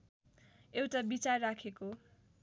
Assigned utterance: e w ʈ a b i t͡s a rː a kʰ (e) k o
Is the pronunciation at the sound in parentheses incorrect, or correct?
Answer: correct